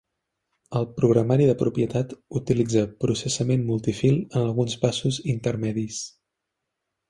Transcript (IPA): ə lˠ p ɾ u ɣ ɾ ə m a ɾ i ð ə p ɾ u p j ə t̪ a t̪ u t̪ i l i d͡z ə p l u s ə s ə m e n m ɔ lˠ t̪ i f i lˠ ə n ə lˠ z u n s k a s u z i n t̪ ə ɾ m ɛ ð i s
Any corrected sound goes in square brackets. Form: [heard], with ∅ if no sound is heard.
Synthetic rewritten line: ə lˠ p ɾ u ɣ ɾ ə m a ɾ i ð ə p ɾ u p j ə t̪ a t̪ u t̪ i l i d͡z ə p [ɾ] u s ə s ə m e n m [u] lˠ t̪ i f i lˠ ə n ə lˠ [ɣ] u n s [p] a s u z i n t̪ ə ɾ m ɛ ð i s